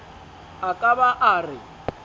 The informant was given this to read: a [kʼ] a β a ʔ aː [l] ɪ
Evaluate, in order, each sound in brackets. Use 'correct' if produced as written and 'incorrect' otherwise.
correct, incorrect

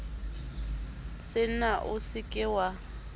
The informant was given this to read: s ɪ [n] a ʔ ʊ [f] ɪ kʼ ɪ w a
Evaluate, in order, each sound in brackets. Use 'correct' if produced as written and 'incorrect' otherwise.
correct, incorrect

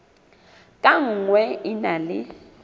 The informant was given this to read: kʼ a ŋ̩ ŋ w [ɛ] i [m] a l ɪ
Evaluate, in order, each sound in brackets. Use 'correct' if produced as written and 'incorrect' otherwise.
correct, incorrect

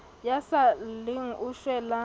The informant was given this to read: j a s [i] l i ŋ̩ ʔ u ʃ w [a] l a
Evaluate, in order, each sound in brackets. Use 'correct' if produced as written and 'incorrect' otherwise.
incorrect, incorrect

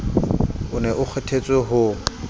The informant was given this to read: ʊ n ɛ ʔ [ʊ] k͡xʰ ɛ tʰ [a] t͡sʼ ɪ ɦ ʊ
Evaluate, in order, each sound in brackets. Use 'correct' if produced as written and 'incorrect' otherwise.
correct, incorrect

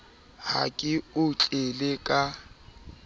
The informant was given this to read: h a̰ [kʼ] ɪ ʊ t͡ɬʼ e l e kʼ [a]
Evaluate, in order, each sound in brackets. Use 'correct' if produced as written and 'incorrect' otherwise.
correct, correct

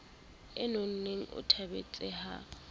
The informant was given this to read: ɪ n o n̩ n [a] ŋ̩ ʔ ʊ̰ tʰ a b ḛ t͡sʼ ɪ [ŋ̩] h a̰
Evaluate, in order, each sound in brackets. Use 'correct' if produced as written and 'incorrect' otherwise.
incorrect, incorrect

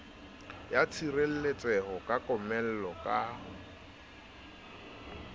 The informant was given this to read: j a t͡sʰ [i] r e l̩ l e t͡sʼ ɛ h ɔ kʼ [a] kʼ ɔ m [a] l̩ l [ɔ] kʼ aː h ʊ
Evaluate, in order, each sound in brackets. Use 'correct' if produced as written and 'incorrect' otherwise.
correct, correct, incorrect, correct

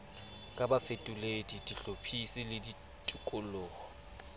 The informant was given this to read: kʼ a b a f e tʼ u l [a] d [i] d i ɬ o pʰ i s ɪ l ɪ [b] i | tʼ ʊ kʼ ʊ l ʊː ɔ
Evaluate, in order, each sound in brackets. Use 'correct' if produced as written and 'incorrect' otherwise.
incorrect, correct, incorrect

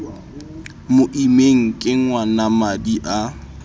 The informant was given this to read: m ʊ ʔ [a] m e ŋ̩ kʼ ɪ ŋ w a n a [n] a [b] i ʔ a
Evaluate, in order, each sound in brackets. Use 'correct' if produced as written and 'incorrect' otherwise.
incorrect, incorrect, incorrect

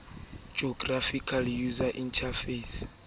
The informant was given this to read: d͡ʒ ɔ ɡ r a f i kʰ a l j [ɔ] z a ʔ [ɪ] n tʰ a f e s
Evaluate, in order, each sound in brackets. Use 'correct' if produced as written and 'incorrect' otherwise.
incorrect, incorrect

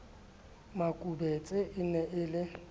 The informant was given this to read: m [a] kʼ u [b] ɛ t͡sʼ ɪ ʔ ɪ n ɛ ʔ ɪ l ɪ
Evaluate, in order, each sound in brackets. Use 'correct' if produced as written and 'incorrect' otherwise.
correct, correct

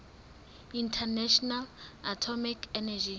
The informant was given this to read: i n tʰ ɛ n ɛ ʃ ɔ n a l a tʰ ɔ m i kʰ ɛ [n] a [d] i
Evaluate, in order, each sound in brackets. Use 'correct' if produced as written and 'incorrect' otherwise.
correct, incorrect

